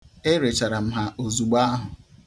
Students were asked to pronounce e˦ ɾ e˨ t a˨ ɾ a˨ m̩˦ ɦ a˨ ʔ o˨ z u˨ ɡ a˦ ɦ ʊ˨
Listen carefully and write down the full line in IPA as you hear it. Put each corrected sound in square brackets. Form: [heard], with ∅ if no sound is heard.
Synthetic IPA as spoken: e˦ ɾ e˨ [t͡ʃ] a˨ ɾ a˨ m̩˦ ɦ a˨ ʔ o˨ z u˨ [ɡ͡b] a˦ ɦ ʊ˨